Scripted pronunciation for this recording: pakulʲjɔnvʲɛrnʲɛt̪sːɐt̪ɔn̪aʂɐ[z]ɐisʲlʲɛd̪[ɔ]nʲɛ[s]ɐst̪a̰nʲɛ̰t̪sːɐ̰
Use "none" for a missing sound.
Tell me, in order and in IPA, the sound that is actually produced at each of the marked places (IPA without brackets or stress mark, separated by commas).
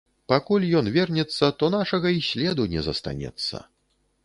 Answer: ɣ, u, z